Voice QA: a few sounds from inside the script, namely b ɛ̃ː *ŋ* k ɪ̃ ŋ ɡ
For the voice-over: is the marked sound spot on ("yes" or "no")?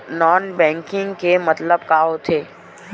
yes